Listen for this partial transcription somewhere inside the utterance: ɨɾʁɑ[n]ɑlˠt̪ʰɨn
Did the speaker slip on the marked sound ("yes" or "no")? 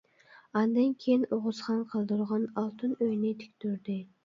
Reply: no